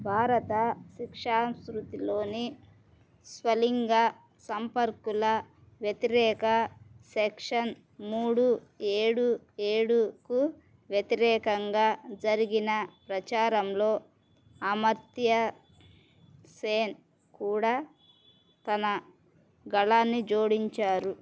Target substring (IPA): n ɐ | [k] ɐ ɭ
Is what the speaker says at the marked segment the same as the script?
no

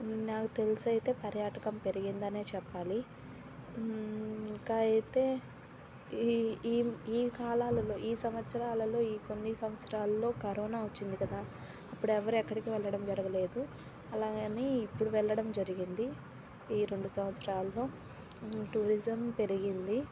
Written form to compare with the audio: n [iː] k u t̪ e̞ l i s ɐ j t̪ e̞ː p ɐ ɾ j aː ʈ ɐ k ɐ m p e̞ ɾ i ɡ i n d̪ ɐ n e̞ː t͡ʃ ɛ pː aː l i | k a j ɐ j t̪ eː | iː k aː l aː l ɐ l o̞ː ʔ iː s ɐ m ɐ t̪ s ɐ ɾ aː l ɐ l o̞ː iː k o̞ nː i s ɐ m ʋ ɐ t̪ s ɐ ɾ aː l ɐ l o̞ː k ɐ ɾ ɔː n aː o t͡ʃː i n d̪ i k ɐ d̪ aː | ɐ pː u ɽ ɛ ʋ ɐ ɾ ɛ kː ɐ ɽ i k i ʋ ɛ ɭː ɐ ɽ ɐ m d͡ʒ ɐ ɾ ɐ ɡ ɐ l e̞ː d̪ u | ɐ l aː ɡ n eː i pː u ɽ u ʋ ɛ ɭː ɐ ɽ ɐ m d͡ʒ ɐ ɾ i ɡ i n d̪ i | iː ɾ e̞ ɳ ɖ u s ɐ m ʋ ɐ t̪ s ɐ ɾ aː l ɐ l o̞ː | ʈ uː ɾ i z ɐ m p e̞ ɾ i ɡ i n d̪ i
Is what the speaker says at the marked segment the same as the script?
no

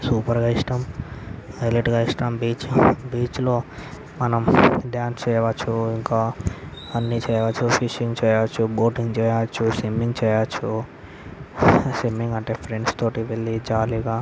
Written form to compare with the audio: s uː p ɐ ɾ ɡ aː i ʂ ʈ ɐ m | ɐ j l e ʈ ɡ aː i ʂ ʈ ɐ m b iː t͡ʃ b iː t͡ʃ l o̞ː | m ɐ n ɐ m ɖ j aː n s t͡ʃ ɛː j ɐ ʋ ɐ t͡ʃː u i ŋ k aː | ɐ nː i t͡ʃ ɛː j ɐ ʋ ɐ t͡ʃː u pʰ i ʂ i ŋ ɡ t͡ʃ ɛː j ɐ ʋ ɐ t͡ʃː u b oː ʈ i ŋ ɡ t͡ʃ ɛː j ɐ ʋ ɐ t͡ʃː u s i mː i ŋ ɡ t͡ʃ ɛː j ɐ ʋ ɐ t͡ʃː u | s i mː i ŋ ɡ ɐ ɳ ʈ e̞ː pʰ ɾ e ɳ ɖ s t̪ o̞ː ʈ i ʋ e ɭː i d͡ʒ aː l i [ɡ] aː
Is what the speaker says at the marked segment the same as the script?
yes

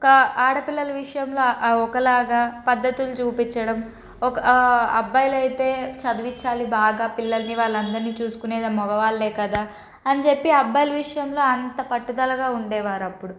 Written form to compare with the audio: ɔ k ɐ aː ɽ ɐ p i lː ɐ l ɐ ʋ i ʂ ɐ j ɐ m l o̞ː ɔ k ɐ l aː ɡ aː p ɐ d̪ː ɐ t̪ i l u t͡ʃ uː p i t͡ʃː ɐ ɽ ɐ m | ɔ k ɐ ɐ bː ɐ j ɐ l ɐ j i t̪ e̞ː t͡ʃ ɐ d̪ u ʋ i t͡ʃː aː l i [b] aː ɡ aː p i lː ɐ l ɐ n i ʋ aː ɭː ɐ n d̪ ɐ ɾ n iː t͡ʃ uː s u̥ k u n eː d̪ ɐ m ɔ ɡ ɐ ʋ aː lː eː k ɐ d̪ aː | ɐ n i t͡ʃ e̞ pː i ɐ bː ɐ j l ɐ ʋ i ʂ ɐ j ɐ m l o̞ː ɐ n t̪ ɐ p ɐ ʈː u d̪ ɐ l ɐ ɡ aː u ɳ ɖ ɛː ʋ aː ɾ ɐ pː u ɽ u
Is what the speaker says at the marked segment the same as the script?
yes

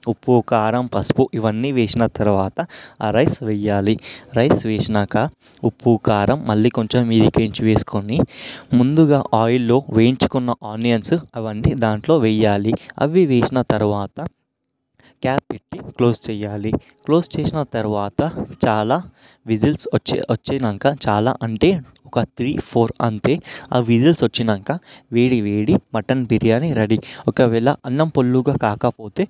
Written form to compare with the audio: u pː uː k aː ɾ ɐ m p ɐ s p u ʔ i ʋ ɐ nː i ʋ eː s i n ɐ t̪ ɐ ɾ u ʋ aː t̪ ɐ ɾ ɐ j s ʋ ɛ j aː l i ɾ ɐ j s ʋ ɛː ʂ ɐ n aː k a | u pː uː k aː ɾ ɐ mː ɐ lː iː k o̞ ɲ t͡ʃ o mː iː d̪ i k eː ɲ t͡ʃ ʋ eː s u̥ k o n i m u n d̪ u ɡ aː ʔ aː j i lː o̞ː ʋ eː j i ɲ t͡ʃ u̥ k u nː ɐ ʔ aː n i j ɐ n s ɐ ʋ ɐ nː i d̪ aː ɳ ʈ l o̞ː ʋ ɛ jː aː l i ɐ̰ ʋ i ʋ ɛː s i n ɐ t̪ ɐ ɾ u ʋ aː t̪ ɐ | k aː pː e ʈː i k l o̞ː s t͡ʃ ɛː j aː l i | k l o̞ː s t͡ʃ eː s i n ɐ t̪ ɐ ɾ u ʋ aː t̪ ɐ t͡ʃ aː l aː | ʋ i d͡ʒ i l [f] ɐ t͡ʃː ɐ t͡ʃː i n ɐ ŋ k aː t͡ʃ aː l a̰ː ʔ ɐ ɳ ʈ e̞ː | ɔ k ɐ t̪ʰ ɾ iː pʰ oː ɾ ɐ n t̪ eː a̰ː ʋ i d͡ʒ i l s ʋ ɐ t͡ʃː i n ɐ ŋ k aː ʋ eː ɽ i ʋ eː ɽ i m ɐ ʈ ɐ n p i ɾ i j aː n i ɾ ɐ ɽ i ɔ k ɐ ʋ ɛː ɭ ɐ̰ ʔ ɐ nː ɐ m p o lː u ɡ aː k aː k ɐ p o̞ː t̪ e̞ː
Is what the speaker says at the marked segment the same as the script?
no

